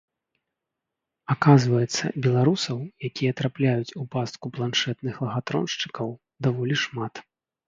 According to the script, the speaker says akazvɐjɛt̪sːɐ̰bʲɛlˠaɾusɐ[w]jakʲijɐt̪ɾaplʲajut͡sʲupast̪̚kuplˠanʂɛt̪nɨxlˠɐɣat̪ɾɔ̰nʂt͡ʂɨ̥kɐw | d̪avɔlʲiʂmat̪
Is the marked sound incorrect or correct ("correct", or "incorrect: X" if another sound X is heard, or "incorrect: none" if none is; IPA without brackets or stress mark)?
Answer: correct